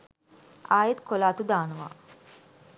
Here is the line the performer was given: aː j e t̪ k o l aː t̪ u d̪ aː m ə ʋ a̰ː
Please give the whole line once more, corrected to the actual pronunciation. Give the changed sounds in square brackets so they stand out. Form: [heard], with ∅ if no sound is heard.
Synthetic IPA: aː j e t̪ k o l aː t̪ u d̪ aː [n] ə ʋ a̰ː